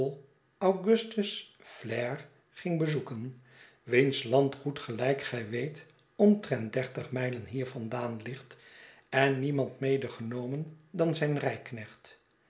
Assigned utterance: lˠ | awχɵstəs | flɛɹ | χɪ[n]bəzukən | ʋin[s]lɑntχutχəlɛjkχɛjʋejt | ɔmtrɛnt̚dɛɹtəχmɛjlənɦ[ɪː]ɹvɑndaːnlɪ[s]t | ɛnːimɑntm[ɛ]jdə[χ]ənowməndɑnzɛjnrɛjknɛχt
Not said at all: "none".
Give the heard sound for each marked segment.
ŋ, s, iː, χ, e, χ

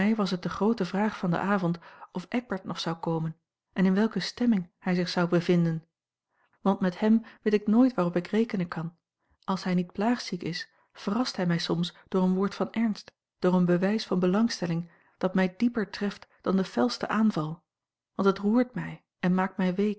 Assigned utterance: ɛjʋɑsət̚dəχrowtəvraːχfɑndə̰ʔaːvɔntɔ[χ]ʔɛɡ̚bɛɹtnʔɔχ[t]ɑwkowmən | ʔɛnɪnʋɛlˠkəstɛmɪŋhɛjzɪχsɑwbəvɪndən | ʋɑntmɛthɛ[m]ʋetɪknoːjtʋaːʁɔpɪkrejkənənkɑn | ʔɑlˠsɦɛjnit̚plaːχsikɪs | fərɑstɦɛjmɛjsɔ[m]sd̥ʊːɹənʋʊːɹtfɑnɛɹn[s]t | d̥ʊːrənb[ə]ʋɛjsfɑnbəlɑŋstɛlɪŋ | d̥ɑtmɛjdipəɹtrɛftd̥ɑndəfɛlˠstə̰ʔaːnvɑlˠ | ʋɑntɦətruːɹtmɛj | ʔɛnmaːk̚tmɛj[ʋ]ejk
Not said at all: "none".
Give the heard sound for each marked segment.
f, s, m, m, s, ə, ʋ

